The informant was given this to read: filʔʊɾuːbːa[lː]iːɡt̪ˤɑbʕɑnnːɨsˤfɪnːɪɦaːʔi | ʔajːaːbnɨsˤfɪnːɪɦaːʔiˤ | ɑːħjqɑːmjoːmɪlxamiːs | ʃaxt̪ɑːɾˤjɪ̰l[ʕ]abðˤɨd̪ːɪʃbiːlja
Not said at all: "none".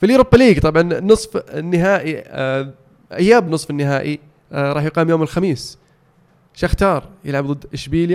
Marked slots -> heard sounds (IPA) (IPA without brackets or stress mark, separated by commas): l, ʕ